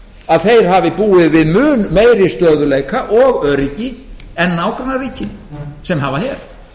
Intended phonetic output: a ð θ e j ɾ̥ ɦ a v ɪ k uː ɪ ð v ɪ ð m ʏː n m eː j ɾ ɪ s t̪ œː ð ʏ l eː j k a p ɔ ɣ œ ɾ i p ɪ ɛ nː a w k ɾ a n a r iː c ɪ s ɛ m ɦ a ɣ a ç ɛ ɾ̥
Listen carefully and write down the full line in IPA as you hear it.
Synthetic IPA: a ð θ e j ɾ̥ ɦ a v ɪ p uː ɪ ð v ɪ ð m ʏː n m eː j ɾ ɪ s t̪ œː ð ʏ l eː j k a ʔ ɔ ɣ œ ɾ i c ɪ ɛ nː a w k ɾ a n a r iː c ɪ s ɛ m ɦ a v a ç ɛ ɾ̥